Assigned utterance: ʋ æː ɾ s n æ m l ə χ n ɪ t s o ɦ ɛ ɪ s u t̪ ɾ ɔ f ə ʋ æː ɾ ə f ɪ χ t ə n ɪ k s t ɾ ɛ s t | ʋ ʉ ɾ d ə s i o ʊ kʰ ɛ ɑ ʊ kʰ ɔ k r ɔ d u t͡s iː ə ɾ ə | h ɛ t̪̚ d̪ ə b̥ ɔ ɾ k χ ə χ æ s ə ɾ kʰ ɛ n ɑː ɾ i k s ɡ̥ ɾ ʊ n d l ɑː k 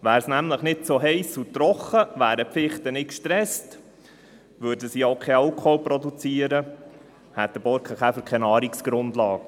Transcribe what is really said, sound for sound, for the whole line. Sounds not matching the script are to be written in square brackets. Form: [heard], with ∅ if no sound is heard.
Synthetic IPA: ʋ æː ɾ s n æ m l ə χ n ɪ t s o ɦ ɛ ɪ s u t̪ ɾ ɔ [χ] ə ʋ æː ɾ ə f ɪ χ t ə n ɪ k [ʃ] t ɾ ɛ s t | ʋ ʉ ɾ d ə s i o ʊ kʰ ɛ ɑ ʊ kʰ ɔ [p] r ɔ d u t͡s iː ə ɾ ə | h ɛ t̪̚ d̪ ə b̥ ɔ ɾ k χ ə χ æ [f] ə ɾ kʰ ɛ n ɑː ɾ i k s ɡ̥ ɾ ʊ n d l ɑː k